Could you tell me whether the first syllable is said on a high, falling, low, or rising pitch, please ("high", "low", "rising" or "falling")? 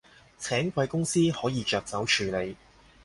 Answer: rising